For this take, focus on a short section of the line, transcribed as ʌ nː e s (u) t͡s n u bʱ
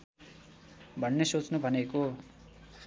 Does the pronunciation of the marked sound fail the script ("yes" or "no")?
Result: yes